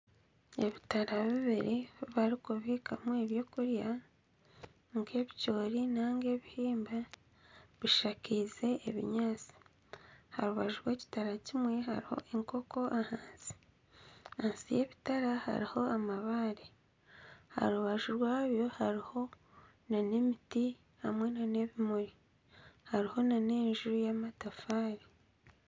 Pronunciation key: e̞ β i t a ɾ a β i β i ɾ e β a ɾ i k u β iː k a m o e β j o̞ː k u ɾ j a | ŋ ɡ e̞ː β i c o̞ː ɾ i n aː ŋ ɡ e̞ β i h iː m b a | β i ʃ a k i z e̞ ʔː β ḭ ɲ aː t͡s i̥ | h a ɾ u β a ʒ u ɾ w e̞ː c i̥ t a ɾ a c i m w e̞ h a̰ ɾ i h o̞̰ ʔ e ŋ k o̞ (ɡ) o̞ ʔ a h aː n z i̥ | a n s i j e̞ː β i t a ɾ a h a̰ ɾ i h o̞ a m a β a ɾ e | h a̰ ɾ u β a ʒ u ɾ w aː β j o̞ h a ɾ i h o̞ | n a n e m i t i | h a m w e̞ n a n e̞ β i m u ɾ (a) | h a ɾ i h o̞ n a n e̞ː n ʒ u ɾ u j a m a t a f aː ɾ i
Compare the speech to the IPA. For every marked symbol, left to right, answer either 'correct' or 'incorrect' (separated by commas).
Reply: incorrect, incorrect